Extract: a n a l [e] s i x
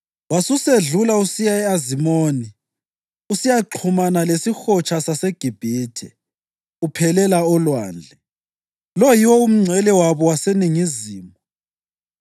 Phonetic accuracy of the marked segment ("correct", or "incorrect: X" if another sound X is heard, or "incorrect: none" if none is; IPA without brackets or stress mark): correct